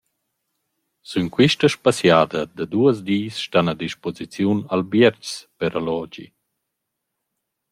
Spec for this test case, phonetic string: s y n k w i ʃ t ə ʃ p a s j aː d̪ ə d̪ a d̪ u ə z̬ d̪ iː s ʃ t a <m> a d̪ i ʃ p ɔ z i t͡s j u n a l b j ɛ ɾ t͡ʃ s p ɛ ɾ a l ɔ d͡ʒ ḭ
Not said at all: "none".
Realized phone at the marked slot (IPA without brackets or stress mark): n